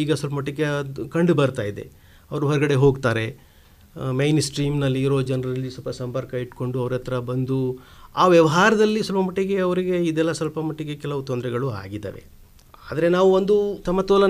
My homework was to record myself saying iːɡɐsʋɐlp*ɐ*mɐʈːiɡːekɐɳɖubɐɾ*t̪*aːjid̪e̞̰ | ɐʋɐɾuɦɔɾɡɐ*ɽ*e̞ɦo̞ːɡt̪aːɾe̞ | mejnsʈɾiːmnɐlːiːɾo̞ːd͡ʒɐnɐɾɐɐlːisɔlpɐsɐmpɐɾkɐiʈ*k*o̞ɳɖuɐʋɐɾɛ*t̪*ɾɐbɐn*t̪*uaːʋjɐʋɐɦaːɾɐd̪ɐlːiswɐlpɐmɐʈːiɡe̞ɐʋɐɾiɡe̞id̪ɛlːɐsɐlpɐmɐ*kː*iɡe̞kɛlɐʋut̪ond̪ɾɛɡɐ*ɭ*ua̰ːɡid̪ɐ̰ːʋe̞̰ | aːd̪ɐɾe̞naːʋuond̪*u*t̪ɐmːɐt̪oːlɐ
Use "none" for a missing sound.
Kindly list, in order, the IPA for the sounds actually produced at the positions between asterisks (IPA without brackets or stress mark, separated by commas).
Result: ɐ, t̪, ɽ, k, t̪, d̪, ʈː, ɭ, u